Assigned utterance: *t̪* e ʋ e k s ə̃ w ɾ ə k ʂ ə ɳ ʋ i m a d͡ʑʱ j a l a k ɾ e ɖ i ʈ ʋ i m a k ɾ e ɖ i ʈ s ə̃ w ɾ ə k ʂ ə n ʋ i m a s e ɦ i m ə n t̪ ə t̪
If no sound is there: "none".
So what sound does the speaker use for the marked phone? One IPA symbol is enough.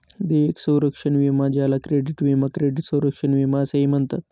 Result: d̪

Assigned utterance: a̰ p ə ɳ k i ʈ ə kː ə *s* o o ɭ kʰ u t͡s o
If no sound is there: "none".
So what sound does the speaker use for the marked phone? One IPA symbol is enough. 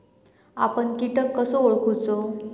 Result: s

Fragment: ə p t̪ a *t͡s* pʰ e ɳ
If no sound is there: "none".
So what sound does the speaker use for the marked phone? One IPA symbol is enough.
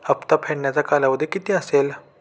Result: none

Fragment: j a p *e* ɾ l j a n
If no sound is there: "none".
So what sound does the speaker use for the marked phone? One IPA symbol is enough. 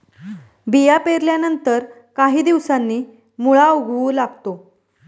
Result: e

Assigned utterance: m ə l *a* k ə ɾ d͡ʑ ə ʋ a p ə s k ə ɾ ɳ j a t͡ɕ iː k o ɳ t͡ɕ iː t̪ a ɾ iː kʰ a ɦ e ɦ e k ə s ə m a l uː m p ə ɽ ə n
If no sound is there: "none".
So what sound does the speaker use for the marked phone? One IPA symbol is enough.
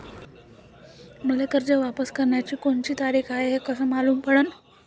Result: e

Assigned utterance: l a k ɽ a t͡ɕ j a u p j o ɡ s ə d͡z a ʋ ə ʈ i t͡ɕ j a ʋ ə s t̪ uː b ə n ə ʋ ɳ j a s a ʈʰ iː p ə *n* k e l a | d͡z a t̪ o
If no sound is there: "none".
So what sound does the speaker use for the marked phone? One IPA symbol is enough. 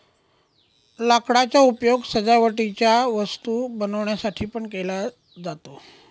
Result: ɳ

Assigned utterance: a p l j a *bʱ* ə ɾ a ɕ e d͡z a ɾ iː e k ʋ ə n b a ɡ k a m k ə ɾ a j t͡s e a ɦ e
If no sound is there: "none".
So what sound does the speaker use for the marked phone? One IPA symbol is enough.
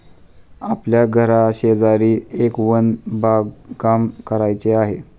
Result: ɡʱ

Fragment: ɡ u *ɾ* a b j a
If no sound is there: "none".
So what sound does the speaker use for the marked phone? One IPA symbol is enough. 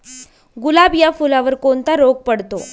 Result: l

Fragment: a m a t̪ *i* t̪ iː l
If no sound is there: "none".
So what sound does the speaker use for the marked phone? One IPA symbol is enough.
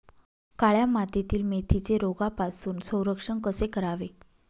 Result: e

